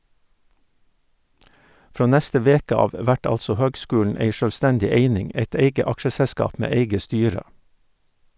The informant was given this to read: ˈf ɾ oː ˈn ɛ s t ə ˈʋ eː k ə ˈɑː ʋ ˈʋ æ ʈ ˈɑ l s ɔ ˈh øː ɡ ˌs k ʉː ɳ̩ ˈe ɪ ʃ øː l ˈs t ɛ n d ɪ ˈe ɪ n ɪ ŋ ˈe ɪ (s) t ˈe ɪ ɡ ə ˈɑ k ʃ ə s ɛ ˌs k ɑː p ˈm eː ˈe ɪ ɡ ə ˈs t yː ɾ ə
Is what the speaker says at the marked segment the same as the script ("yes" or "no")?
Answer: no